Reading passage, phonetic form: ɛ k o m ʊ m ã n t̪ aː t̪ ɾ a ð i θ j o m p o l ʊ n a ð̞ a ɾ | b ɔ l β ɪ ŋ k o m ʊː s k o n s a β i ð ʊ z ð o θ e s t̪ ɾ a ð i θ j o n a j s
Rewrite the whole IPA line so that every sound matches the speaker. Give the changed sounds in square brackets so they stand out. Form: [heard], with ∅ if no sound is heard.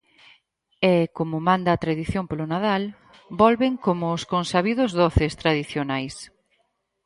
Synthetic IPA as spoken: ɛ k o m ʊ m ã n [d̪] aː t̪ ɾ a ð i θ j o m p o l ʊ n a ð̞ a [l] | b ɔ l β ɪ ŋ k o m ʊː s k o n s a β i ð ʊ z ð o θ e s t̪ ɾ a ð i θ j o n a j s